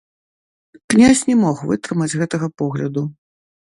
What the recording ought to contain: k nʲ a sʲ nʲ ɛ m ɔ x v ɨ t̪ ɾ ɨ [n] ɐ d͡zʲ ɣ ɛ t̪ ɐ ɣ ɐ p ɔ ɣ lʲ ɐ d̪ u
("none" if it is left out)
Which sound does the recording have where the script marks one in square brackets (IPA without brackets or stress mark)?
m